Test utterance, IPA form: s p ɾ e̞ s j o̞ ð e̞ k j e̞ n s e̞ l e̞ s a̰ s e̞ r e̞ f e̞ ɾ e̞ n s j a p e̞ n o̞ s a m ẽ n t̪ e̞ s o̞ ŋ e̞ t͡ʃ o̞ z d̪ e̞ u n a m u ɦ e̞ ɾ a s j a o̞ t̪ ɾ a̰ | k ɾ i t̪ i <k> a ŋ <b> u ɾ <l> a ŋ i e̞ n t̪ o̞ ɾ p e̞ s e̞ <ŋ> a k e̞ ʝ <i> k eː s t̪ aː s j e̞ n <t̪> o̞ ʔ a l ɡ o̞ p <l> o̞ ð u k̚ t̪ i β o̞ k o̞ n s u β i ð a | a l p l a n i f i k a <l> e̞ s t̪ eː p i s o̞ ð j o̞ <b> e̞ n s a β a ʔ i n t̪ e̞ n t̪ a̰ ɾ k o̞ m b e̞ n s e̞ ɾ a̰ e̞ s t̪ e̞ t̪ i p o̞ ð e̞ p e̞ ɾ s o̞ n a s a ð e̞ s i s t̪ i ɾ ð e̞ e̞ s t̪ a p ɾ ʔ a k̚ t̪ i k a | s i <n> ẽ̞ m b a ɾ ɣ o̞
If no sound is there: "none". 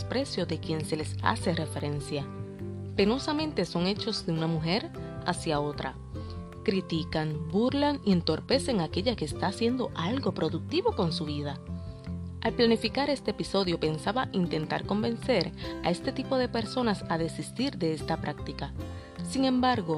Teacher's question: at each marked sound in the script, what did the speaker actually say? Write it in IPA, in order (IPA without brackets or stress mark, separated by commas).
k, b, l, ŋ, a, d̪, ɾ, ɾ, p, ŋ